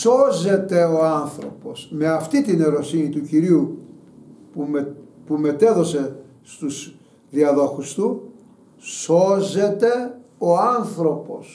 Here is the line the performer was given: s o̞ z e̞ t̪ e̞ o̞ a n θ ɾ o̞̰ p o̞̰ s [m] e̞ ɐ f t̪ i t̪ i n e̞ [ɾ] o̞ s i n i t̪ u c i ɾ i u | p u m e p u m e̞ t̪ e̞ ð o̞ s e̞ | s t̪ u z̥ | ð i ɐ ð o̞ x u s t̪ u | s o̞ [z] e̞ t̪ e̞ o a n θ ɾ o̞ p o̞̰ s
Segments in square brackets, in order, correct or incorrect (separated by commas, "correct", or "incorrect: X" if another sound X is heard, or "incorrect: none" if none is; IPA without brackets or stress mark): correct, correct, correct